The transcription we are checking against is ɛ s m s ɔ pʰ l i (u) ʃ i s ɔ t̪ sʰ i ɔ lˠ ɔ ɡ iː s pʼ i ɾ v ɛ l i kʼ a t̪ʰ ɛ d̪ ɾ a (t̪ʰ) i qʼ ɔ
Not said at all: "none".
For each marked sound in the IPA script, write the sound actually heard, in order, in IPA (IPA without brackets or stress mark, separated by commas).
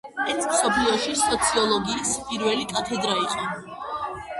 ɔ, none